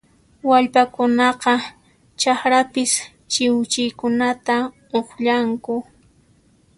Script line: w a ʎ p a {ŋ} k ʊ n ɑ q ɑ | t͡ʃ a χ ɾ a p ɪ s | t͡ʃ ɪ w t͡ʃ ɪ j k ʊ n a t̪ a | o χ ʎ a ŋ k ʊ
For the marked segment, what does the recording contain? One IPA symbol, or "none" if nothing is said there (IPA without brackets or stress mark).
none